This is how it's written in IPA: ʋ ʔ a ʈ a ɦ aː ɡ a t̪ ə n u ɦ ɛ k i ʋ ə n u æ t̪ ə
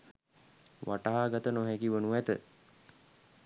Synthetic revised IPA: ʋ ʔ a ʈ a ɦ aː ɡ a t̪ ə n o ɦ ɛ k i ʋ ə n u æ t̪ ə